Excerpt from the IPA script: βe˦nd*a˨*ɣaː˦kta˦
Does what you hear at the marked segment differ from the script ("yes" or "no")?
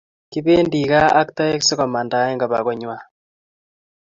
yes